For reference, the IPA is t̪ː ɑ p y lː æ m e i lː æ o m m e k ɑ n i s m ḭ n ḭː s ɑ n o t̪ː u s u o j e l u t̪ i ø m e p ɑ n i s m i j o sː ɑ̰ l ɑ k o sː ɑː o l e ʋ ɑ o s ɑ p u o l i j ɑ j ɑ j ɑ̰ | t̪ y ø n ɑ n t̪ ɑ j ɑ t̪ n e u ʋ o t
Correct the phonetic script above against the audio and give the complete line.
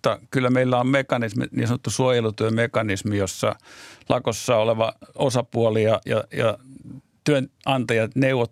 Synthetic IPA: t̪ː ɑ k y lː æ m e i lː æ o m m e k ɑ n i s m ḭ n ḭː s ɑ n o t̪ː u s u o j e l u t̪ y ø m e k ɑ n i s m i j o sː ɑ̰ l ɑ k o sː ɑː o l e ʋ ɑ o s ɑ p u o l i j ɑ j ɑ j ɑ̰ | t̪ y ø n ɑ n t̪ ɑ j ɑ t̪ n e u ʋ o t